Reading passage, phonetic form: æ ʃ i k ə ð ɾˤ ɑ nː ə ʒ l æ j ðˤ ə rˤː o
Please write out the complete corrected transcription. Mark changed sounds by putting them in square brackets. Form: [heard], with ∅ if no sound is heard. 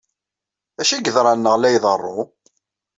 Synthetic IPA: æ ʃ i [ɡ] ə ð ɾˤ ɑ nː ə [ʁ] l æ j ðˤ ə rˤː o

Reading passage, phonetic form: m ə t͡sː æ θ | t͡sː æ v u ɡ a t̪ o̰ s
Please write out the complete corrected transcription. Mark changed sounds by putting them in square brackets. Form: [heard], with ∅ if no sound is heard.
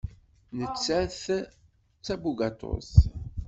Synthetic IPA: [n] ə t͡sː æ θ | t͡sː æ [b] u ɡ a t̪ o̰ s

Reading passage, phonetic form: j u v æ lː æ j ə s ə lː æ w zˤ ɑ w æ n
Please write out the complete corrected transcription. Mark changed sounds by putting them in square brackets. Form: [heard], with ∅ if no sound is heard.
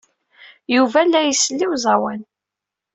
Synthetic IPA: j u v æ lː æ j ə s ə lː [i] w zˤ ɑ w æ n

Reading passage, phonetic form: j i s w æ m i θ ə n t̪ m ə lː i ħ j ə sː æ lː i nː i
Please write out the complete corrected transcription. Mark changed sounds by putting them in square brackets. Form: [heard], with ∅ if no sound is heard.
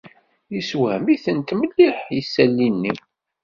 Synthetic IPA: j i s w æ m i θ ə n t̪ m ə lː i ħ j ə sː æ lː i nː i

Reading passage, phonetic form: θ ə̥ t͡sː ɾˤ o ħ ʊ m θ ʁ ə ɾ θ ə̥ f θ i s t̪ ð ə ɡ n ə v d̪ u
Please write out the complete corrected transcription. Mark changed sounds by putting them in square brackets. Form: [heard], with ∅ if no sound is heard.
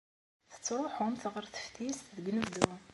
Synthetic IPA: θ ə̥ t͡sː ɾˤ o ħ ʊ m θ ʁ ə ɾ θ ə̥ f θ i s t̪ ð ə ɡ n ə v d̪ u

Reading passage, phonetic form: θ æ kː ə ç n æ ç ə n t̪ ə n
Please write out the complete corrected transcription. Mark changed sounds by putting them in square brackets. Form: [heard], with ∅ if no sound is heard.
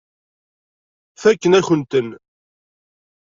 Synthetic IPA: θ æ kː ə [∅] n æ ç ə n t̪ ə n

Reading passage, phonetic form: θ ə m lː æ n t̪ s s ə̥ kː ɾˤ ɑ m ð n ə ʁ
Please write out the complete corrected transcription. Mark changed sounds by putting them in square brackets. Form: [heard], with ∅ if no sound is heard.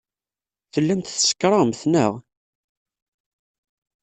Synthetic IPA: θ ə [∅] lː æ [m] t̪ [θ] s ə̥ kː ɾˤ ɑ m [θ] n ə ʁ

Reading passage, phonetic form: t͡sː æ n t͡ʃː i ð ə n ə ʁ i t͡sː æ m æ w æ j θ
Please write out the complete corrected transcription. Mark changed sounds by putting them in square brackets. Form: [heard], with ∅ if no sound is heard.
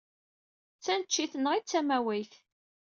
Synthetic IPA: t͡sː æ n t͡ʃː i [θ] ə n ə ʁ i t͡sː æ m æ w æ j θ

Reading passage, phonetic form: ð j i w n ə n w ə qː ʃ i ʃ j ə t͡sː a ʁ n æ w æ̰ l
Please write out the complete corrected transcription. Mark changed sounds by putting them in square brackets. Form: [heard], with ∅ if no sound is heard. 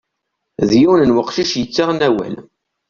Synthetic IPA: ð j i w n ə n w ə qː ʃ i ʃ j ə t͡sː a ʁ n æ w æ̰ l

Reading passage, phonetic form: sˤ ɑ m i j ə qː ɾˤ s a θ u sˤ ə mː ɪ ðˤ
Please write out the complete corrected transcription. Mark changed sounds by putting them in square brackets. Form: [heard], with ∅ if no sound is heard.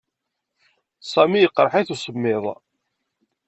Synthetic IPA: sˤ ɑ m i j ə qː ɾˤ [ħ] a θ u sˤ ə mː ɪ ðˤ

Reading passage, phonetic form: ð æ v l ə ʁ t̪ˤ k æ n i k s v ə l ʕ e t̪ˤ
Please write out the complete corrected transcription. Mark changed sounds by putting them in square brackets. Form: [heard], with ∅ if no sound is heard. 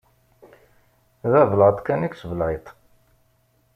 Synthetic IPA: ð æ v l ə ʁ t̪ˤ k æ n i k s v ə l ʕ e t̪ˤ

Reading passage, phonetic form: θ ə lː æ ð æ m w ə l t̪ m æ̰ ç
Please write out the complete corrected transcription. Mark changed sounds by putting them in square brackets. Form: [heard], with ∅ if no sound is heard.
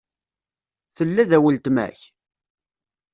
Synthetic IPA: θ ə lː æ ð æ [∅] w ə l t̪ m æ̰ ç

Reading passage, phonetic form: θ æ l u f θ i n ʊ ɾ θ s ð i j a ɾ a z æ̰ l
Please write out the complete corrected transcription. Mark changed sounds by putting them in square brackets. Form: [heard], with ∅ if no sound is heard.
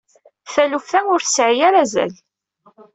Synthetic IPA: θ æ l u f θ [æ] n ʊ ɾ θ s [ʕ] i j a ɾ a z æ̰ l

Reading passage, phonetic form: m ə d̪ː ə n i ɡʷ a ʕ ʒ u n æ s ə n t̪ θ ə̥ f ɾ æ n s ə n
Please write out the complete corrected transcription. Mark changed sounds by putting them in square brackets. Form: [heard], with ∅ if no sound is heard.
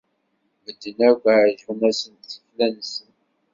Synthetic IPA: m ə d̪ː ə n [æ] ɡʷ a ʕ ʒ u n æ s ə n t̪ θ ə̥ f [l] æ n s ə n

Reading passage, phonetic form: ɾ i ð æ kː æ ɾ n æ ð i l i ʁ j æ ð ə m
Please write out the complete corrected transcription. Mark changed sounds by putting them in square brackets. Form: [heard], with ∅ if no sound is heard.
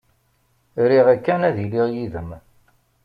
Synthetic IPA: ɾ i [ʁ] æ kː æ [∅] n æ ð i l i ʁ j [i] ð ə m

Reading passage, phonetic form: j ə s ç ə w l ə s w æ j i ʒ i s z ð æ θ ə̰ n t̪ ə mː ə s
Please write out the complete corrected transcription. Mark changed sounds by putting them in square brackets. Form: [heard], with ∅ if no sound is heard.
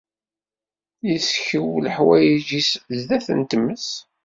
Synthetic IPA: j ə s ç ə w l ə [ħ] w æ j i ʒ i s z ð æ θ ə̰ n t̪ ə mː ə s

